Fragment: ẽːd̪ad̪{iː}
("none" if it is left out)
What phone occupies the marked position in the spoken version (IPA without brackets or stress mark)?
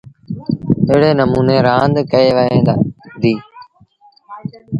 iː